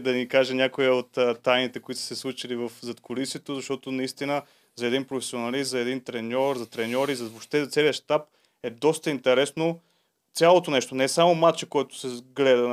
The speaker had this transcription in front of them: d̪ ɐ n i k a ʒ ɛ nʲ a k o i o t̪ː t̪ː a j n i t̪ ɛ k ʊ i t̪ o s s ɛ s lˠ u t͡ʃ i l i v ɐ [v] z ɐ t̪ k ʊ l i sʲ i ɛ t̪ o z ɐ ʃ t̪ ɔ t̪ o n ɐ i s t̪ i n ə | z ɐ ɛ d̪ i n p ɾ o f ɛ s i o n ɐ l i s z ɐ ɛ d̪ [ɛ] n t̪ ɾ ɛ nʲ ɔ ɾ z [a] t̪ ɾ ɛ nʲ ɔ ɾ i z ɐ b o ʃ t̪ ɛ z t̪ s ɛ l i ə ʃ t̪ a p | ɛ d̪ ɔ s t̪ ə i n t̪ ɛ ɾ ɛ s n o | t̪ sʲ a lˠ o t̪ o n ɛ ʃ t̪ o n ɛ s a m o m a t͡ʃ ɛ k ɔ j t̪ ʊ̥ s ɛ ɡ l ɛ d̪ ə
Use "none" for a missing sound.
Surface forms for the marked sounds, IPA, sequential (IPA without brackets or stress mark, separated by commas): f, i, ɐ